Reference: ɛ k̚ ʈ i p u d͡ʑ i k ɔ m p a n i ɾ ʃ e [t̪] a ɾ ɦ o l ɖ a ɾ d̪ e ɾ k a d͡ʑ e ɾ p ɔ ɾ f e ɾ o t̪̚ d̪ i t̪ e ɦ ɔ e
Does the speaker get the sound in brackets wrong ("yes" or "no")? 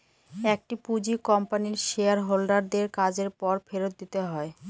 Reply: yes